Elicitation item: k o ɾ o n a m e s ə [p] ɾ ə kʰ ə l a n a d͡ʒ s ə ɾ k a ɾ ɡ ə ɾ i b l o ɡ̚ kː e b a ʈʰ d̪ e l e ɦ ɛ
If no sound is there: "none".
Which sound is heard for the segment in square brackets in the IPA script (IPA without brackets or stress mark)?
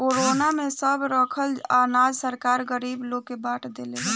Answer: b